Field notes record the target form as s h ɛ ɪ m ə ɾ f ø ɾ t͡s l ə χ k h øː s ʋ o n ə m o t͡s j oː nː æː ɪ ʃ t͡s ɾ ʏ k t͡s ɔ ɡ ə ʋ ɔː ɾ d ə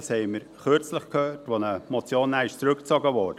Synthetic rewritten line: s h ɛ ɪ m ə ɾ χ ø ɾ t͡s l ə χ k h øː t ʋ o n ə m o t͡s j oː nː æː ɪ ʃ t͡s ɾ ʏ k t͡s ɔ ɡ ə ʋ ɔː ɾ d ə